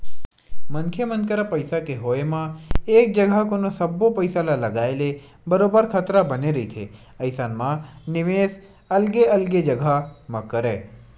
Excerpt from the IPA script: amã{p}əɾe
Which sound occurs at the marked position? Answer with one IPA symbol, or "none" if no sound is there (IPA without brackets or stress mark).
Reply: k